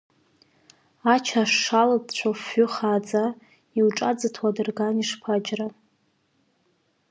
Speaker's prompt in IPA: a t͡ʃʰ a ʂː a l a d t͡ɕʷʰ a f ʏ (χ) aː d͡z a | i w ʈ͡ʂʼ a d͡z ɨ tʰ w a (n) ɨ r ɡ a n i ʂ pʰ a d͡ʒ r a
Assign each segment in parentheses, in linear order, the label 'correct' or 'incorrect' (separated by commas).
correct, incorrect